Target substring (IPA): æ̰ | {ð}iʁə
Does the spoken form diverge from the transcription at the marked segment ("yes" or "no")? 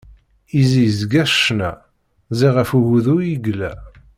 yes